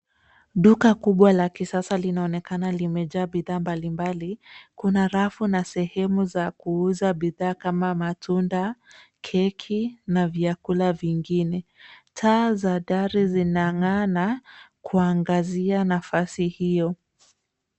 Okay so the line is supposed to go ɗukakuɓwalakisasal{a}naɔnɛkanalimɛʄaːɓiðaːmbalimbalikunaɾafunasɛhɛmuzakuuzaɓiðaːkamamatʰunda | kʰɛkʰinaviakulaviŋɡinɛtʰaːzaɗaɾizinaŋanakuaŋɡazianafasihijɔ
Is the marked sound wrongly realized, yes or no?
yes